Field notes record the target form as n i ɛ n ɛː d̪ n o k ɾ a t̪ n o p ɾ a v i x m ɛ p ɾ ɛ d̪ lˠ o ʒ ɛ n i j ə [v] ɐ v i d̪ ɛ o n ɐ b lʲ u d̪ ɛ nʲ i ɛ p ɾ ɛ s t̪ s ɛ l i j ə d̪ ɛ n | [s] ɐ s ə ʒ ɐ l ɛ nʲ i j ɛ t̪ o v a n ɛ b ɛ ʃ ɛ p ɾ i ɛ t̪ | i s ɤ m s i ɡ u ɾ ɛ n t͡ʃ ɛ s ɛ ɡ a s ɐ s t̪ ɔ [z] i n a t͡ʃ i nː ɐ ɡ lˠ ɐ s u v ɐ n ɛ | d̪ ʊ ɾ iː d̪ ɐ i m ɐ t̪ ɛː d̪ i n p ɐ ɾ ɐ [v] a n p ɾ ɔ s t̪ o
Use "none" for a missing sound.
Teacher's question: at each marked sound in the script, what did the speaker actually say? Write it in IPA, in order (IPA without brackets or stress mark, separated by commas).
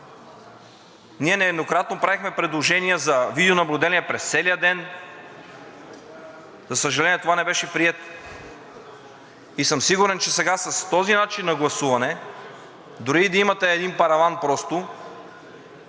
z, z, z, v